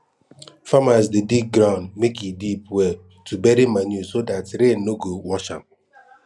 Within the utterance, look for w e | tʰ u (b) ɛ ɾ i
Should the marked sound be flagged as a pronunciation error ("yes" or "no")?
no